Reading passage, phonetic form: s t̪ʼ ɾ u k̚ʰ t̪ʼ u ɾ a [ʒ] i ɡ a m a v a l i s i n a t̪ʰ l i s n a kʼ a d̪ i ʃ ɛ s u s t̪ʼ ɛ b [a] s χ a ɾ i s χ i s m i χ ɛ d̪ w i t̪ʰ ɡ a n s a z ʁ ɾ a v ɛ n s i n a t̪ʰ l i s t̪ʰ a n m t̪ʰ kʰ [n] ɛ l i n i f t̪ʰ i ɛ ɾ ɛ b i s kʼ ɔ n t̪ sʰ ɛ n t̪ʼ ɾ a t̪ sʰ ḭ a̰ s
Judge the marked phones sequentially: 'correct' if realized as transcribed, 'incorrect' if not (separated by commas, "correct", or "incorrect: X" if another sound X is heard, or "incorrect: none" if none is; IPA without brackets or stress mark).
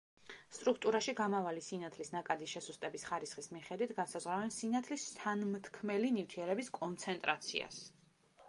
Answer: incorrect: ʃ, incorrect: i, incorrect: m